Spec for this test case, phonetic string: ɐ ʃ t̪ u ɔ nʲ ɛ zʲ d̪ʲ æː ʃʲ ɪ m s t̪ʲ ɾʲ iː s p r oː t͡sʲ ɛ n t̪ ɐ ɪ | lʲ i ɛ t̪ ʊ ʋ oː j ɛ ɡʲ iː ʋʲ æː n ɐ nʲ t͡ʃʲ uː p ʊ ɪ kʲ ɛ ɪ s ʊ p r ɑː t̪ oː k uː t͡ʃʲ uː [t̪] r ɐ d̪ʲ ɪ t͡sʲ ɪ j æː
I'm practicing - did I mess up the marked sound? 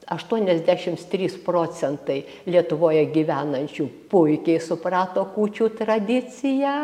no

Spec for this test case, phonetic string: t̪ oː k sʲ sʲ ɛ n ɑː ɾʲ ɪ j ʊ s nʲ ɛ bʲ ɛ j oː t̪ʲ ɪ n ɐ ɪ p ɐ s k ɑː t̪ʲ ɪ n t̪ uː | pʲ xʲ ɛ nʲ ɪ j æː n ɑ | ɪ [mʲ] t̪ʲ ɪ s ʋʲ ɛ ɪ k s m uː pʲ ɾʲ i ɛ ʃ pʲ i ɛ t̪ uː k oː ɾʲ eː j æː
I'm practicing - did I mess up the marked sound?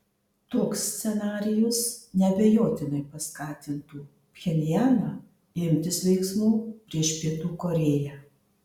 no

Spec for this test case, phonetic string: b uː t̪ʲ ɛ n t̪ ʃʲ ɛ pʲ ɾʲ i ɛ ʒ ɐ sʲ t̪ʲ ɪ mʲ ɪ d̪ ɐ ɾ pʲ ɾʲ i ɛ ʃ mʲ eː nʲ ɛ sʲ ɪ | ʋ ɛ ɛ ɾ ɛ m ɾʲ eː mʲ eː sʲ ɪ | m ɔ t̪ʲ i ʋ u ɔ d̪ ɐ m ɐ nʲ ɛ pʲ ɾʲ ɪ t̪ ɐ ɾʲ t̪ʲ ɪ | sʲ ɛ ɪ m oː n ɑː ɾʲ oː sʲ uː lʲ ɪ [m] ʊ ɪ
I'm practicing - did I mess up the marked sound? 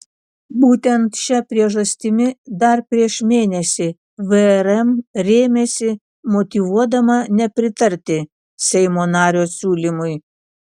no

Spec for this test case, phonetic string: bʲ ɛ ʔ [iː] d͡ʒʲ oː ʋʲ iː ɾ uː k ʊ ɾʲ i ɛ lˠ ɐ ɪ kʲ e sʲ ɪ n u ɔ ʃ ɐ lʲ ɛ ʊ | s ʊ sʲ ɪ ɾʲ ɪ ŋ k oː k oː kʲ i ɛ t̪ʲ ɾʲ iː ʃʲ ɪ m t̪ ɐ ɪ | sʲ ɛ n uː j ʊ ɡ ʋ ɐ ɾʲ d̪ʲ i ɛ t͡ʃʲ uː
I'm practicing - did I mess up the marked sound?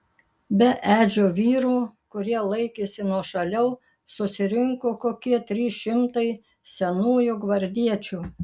yes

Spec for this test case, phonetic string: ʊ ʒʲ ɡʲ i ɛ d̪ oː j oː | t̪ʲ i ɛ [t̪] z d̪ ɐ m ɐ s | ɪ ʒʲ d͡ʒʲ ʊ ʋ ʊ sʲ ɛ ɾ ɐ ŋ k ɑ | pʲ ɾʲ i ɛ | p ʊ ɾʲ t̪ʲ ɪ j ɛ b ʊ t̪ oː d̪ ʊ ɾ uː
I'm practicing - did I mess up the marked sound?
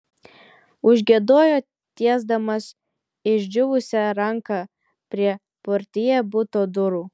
yes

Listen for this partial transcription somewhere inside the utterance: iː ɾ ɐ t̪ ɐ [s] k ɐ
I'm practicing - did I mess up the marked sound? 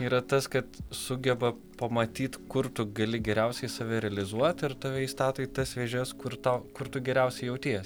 no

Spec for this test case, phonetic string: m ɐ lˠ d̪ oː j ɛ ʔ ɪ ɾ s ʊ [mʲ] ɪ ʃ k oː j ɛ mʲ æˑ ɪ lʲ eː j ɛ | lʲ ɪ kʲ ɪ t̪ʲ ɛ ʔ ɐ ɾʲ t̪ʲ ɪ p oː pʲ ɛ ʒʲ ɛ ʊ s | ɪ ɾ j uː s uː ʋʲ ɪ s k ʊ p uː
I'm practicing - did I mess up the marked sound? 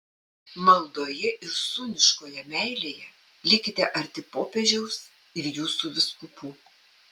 yes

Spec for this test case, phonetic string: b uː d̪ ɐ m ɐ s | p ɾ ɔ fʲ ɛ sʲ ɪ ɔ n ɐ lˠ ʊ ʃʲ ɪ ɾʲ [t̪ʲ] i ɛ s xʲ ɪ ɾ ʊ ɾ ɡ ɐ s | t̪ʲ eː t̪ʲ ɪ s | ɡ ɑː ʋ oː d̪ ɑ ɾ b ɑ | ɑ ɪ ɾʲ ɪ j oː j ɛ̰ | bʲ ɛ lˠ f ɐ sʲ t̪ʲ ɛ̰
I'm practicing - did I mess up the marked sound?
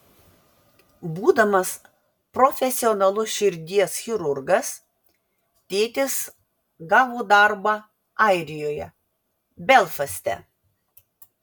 yes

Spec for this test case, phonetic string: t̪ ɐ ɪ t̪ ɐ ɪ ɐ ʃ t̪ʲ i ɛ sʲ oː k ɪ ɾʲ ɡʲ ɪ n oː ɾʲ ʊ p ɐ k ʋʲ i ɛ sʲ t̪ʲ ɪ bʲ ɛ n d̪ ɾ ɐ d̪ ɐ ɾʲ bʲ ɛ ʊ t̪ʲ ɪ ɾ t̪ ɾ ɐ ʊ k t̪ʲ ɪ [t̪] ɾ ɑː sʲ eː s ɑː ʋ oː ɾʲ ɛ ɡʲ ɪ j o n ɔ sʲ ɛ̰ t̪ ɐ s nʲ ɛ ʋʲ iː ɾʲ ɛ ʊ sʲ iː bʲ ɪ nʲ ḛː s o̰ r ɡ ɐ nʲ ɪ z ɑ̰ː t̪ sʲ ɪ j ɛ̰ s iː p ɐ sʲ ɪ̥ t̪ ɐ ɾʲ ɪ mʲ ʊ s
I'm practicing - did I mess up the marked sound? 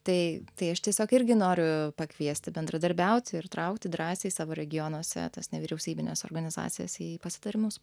yes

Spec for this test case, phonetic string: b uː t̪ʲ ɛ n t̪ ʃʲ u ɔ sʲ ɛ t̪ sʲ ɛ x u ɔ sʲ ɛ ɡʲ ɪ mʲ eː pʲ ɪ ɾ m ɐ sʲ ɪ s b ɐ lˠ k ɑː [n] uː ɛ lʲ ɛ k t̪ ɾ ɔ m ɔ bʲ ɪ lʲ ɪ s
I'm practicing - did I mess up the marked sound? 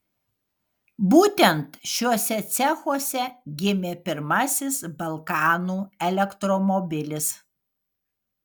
no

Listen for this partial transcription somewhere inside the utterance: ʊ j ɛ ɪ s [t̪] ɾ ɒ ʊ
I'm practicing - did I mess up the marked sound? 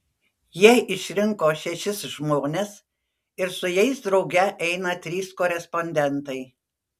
yes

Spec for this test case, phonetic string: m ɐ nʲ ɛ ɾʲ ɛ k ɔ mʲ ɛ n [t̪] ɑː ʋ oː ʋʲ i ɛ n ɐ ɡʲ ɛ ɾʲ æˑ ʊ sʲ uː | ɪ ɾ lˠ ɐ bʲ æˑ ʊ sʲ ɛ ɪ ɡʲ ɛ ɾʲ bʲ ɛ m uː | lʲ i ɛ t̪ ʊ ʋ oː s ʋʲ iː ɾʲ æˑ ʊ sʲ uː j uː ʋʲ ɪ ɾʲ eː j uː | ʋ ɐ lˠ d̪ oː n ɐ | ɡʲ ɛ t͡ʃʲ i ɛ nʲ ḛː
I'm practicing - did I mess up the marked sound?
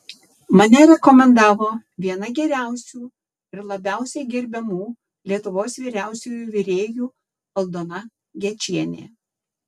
yes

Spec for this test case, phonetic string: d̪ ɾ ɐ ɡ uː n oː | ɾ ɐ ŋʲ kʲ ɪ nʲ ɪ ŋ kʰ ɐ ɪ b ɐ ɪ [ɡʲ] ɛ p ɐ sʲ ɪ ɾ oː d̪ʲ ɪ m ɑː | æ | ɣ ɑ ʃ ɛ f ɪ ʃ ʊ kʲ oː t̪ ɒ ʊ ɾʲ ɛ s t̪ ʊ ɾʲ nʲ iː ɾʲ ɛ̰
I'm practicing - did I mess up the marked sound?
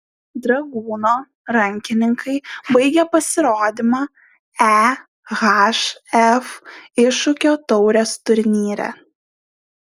no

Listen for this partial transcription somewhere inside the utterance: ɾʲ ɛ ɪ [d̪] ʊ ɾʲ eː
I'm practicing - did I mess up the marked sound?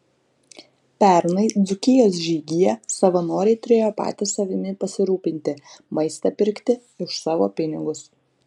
yes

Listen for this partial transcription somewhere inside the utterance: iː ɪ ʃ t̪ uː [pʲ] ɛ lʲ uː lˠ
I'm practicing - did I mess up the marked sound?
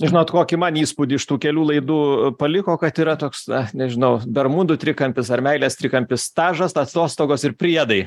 yes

